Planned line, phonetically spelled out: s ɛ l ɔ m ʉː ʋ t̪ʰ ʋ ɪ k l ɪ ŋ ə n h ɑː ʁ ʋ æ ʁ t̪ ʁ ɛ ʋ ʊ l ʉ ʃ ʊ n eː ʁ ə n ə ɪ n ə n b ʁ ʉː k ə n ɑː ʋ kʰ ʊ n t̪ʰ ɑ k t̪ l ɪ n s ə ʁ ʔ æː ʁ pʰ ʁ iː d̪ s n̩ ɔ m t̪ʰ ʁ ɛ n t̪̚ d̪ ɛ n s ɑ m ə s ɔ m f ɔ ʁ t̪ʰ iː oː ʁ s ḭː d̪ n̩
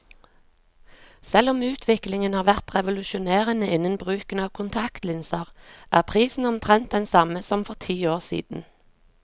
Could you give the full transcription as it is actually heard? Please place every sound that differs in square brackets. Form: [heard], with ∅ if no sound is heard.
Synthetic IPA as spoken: s ɛ l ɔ m ʉː [∅] t̪ʰ ʋ ɪ k l ɪ ŋ ə n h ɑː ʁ ʋ æ ʁ t̪ ʁ ɛ ʋ ʊ l ʉ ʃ ʊ n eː ʁ ə n ə ɪ n ə n b ʁ ʉː k ə n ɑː ʋ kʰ ʊ n t̪ʰ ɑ k t̪ l ɪ n s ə ʁ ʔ æː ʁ pʰ ʁ iː [∅] s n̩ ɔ m t̪ʰ ʁ ɛ n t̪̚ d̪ ɛ n s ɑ m ə s ɔ m f ɔ ʁ t̪ʰ iː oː ʁ s ḭː d̪ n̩